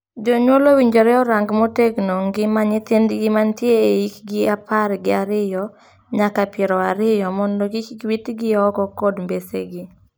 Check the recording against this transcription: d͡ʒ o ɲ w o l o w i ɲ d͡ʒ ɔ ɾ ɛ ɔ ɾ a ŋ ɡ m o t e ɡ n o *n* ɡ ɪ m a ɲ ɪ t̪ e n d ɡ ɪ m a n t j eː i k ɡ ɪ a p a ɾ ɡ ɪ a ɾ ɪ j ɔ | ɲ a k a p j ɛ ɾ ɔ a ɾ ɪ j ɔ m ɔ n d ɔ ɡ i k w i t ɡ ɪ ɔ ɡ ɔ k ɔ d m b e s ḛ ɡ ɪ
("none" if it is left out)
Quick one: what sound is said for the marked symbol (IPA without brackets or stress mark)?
ŋ